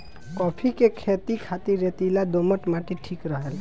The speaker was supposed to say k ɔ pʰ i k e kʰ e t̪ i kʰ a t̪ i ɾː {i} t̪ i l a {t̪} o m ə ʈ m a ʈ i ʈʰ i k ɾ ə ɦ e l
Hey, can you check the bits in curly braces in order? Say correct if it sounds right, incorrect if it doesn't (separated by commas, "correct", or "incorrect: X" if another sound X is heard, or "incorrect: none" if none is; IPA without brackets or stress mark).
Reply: incorrect: e, incorrect: d̪